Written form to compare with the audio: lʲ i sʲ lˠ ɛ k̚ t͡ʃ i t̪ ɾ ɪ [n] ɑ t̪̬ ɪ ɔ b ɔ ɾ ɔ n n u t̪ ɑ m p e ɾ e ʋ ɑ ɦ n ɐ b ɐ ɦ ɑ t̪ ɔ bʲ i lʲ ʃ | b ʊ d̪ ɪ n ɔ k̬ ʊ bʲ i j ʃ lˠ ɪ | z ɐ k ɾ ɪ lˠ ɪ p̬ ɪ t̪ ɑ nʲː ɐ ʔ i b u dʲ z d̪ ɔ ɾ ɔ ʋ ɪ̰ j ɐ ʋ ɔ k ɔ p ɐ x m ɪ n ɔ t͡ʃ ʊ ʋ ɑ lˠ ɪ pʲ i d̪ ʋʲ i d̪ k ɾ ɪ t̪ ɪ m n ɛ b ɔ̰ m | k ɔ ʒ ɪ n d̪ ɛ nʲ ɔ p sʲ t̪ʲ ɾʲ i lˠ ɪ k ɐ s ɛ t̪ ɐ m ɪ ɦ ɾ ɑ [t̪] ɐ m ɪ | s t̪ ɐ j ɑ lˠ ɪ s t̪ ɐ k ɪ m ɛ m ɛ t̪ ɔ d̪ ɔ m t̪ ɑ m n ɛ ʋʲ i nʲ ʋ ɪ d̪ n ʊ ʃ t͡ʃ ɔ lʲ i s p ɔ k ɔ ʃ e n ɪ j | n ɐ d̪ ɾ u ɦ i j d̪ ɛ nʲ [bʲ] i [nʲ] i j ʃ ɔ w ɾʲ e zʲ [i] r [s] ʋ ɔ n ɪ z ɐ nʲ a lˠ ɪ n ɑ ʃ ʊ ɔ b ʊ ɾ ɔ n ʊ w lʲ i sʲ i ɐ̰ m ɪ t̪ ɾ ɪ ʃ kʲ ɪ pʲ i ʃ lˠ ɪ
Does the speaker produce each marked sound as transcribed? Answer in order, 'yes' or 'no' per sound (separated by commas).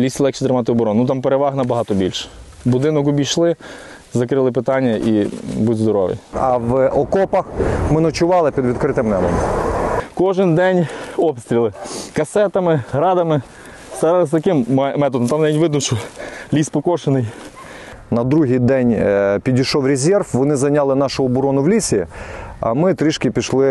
no, no, no, no, no, no